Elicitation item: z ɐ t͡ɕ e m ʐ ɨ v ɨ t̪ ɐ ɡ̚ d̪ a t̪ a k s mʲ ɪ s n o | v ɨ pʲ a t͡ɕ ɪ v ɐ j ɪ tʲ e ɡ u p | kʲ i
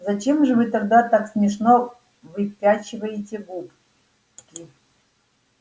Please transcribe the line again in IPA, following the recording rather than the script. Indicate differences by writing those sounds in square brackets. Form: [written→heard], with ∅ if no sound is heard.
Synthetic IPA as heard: z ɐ t͡ɕ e m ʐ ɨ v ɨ t̪ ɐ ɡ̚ d̪ a t̪ a k s mʲ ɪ [s→ʂ] n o | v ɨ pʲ a t͡ɕ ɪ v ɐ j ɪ tʲ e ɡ u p | kʲ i